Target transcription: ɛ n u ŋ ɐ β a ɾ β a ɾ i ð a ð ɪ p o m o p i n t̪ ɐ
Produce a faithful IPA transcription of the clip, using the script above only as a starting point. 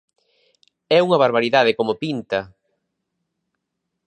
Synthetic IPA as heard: ɛ u ŋ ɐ β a ɾ β a ɾ i ð a ð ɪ k o m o p i n t̪ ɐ

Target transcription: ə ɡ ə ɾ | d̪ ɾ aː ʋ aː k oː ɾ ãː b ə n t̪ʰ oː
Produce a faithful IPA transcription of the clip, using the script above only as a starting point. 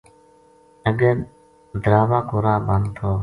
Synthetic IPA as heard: ə ɡ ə ɾ | d̪ ɾ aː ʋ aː k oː ɾ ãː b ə n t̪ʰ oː

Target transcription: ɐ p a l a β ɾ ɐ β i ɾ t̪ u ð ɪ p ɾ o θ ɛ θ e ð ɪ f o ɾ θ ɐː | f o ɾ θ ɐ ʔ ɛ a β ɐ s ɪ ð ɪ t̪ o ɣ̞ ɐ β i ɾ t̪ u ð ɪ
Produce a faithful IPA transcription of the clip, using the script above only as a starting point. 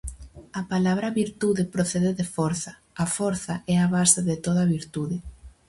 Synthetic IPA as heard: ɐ p a l a β ɾ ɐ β i ɾ t̪ u ð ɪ p ɾ o θ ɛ ð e ð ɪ f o ɾ θ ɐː | f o ɾ θ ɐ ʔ ɛ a β a s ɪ ð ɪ t̪ o ð̞ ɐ β i ɾ t̪ u ð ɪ

